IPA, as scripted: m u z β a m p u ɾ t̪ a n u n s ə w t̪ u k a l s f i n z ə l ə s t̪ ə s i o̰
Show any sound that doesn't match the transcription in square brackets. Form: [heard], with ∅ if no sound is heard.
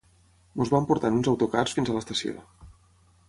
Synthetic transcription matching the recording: m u z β a m p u ɾ t̪ a n u n [z] ə w t̪ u k a [r] s f i n z ə l ə s t̪ ə s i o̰